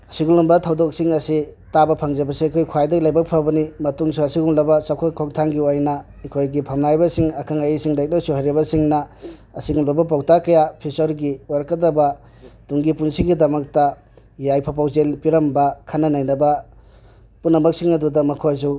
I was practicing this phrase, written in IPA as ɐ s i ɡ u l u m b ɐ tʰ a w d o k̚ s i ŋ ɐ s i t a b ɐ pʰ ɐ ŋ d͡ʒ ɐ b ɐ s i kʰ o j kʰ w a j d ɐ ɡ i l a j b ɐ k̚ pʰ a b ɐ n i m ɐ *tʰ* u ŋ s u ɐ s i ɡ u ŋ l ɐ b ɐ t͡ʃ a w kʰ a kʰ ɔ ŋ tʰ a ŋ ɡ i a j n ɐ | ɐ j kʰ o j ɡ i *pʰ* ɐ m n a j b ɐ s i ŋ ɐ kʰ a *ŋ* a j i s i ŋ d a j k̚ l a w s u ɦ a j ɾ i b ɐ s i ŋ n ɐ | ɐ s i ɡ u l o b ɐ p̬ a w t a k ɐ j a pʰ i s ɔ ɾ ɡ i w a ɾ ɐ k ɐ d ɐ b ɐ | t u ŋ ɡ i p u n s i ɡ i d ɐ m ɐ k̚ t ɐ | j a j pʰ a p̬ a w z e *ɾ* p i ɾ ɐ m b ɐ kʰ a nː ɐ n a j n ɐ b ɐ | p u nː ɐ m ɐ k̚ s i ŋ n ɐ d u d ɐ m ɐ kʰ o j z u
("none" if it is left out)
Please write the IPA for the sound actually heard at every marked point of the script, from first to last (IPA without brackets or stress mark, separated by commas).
t, pʰ, ŋ, l